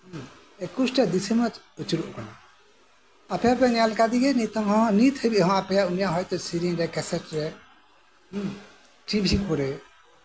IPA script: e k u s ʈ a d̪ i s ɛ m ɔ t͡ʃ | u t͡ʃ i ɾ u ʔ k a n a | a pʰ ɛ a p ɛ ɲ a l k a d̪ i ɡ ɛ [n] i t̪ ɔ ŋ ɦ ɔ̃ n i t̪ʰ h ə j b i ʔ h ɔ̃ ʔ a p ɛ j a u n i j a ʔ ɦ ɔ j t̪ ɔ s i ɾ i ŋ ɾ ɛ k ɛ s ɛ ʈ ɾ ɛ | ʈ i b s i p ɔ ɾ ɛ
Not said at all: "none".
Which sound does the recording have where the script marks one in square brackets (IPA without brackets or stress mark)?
n